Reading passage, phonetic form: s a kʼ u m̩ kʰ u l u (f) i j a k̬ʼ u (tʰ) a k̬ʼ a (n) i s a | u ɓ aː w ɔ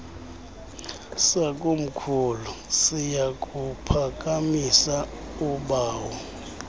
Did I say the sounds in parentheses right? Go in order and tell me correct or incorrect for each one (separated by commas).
incorrect, incorrect, incorrect